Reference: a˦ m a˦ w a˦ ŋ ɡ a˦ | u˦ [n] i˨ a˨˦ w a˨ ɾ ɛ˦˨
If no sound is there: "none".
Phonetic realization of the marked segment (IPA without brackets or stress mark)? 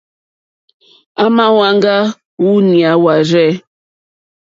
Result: n